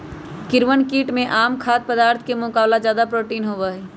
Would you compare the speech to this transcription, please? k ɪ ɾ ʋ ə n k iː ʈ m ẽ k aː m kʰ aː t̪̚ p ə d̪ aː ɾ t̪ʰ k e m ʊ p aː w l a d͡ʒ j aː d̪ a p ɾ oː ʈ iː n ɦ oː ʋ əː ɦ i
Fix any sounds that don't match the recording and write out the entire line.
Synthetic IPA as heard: k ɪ ɾ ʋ ə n k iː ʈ m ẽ ʔ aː m kʰ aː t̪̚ p ə d̪ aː ɾ t̪ʰ k e m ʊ k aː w l a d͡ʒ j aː d̪ a p ɾ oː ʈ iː n ɦ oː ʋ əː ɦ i